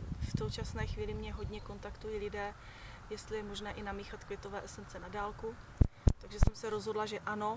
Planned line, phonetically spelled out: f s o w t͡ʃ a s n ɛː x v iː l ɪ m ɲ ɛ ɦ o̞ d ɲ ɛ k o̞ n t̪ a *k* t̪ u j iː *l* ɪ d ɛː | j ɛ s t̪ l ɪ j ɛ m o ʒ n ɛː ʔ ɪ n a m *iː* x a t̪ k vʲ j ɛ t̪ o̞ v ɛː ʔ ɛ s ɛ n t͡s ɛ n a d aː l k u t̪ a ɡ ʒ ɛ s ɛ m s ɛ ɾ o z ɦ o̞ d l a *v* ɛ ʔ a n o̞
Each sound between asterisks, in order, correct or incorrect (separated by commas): correct, correct, correct, incorrect